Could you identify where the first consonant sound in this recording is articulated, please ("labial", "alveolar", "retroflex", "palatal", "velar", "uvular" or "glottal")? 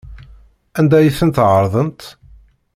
alveolar